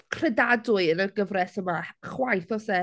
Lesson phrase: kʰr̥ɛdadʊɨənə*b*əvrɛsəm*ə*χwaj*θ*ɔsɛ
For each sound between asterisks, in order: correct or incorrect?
incorrect: ɡ, incorrect: a, correct

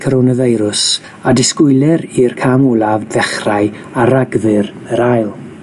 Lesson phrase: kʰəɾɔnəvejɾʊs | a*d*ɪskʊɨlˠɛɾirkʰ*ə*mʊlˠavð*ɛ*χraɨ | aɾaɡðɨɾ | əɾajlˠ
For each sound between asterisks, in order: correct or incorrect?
correct, incorrect: a, correct

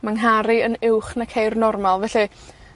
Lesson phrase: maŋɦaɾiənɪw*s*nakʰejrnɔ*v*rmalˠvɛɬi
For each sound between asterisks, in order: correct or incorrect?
incorrect: χ, incorrect: none

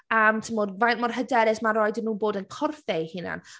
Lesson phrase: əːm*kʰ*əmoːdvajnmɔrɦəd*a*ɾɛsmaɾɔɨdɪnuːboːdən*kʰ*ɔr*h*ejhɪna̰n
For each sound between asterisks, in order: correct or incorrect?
incorrect: tʰ, incorrect: ɛ, correct, incorrect: f

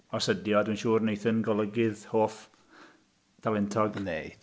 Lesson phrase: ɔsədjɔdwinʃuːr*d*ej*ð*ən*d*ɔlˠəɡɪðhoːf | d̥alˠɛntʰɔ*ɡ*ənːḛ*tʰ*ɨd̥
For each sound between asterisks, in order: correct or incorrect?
incorrect: n, incorrect: θ, incorrect: ɡ, correct, incorrect: none

